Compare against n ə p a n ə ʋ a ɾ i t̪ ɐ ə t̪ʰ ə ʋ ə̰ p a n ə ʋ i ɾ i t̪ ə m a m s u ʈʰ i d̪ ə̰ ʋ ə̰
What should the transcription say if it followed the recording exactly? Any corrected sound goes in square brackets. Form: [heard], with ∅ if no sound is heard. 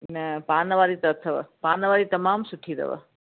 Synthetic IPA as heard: n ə p a n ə ʋ a ɾ i t̪ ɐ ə t̪ʰ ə ʋ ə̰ p a n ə ʋ [a] ɾ i t̪ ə m a m s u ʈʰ i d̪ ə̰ ʋ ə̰

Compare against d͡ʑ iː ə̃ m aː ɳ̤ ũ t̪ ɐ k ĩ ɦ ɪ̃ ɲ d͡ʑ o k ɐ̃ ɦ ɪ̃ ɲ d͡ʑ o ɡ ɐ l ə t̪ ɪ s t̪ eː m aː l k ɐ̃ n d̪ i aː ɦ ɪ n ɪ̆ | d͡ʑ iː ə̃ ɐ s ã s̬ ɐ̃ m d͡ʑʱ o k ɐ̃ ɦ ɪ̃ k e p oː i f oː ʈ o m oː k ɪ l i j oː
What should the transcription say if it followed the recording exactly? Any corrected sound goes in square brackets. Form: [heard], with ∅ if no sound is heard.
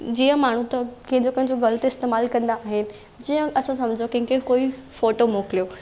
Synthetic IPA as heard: d͡ʑ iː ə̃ m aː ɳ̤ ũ t̪ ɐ k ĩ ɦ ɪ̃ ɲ d͡ʑ o k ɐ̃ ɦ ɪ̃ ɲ d͡ʑ o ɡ ɐ l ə t̪ ɪ s t̪ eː m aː l k ɐ̃ n d̪ [a] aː ɦ ɪ n ɪ̆ | d͡ʑ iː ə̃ ɐ s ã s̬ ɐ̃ m d͡ʑʱ o k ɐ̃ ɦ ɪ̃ k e [k] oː i f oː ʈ o m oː k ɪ l i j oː

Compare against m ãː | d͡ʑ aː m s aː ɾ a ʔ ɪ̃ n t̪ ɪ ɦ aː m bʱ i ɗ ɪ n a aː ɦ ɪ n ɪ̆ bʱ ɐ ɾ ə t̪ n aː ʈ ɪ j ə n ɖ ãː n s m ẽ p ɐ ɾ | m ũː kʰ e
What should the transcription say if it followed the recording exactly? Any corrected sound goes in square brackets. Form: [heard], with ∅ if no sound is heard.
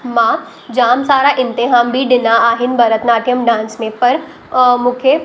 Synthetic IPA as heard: m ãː | d͡ʑ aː m s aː ɾ a ʔ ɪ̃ n t̪ ɪ ɦ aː m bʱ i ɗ ɪ n a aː ɦ ɪ n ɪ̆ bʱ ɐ ɾ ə t̪ n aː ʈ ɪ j ə [m] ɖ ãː n s m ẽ p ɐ ɾ | m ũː kʰ e

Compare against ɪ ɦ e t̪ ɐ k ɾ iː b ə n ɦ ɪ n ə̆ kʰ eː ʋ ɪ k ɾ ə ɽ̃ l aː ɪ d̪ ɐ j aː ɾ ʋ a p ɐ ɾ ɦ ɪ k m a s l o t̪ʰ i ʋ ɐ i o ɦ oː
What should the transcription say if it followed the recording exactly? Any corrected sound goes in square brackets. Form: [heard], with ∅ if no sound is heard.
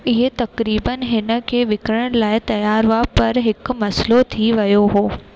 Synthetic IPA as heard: ɪ ɦ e t̪ ɐ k ɾ iː b ə n ɦ ɪ n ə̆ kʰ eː ʋ ɪ k ɾ ə ɽ̃ l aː ɪ [t̪] ɐ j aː ɾ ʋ a p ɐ ɾ ɦ ɪ k m [ɐ] s l o t̪ʰ i ʋ ɐ [j] o ɦ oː

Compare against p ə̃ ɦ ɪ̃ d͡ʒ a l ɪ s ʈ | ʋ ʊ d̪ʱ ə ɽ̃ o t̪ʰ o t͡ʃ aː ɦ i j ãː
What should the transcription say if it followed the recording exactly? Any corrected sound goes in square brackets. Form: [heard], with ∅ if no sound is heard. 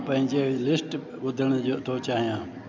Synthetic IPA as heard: p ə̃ ɦ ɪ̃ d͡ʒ [e] l ɪ s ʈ | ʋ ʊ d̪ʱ ə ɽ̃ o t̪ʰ o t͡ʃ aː ɦ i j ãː

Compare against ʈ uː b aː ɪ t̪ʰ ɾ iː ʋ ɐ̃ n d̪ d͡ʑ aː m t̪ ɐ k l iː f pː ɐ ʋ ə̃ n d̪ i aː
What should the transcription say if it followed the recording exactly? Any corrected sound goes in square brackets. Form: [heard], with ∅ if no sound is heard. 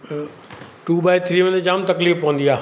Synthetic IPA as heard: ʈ uː b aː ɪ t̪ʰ ɾ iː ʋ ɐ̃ n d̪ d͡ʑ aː m t̪ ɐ k l iː f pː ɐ ʋ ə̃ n d̪ i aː

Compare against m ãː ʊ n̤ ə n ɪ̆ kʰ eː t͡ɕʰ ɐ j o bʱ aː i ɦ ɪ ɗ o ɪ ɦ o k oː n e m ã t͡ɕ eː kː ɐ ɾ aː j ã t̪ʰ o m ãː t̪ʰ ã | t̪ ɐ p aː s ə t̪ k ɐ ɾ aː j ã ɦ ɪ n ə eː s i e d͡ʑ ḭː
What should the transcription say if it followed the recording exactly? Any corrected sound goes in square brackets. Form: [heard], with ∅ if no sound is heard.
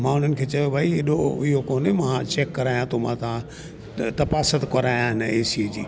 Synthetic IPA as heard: m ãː ʊ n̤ ə n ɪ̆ kʰ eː [t͡ɕ] ɐ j o bʱ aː i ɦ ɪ ɗ o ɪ ɦ o k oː n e m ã t͡ɕ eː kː ɐ ɾ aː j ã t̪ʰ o m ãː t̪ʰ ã | t̪ ɐ p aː s ə t̪ k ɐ ɾ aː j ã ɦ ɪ n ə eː s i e d͡ʑ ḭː

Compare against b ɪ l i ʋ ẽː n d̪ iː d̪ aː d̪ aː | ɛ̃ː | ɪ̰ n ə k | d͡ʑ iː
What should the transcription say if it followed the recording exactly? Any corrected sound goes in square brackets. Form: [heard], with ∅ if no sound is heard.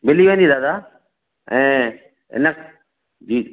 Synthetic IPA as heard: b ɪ l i ʋ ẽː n d̪ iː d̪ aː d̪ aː | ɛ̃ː | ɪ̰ n ə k | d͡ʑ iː

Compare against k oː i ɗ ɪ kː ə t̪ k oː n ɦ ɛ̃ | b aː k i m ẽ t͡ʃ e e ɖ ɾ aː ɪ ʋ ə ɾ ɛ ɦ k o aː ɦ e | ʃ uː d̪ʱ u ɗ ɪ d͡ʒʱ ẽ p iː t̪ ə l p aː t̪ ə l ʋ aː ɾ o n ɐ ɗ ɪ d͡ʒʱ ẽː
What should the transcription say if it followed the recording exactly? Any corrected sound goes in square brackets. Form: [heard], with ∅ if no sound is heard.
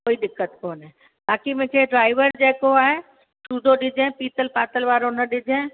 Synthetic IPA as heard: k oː i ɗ ɪ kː ə t̪ k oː n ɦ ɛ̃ | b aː k i m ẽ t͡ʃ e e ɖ ɾ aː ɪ ʋ ə ɾ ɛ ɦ k o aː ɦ e | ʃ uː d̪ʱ [o] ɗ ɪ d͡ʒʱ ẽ p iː t̪ ə l p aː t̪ ə l ʋ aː ɾ o n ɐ ɗ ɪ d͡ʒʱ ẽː

